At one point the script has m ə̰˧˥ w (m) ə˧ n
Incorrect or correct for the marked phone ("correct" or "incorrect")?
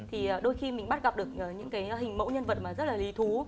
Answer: incorrect